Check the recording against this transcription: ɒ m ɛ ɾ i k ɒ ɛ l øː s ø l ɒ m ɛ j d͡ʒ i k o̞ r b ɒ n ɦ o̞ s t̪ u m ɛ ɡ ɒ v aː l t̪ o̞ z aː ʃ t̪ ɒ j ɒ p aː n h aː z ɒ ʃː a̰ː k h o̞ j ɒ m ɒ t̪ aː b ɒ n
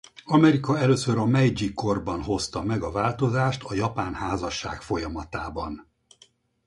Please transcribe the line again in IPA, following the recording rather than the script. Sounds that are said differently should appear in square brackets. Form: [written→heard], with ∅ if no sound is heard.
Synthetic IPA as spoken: ɒ m ɛ ɾ i k ɒ ɛ l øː s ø [l→ɾ] ɒ m ɛ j d͡ʒ i k o̞ r b ɒ n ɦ o̞ s t̪ [u→ɒ] m ɛ ɡ ɒ v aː l t̪ o̞ z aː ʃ t̪ ɒ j ɒ p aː n h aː z ɒ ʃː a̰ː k [h→f] o̞ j ɒ m ɒ t̪ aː b ɒ n